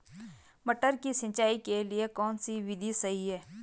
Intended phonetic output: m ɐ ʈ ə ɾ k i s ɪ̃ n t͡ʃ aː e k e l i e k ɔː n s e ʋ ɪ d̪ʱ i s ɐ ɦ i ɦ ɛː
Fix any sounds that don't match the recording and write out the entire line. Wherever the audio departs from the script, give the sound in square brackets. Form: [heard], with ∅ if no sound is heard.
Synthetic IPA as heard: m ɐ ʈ ə ɾ k i s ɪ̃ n t͡ʃ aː [i] k e l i e k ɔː n s [i] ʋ ɪ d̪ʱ i s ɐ ɦ i ɦ ɛː